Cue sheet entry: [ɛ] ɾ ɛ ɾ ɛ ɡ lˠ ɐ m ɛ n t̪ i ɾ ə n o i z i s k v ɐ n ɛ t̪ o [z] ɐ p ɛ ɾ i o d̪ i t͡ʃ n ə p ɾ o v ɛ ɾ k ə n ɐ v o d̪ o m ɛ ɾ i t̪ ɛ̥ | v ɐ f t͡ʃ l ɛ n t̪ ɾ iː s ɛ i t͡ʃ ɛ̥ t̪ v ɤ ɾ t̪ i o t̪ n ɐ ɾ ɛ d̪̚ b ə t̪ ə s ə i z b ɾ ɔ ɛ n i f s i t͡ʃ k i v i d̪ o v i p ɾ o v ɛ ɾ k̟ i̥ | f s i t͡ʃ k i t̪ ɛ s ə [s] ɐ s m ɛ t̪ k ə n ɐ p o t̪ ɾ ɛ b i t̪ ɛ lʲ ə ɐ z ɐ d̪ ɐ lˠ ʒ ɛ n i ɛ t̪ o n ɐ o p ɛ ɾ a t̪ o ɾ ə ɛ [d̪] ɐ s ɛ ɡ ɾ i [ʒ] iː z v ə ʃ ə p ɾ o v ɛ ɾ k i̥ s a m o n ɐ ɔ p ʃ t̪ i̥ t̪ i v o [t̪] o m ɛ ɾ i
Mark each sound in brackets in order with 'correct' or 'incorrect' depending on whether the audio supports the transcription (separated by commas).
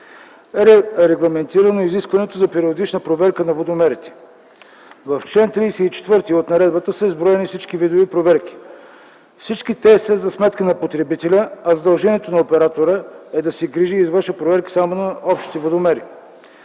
correct, correct, incorrect, correct, correct, incorrect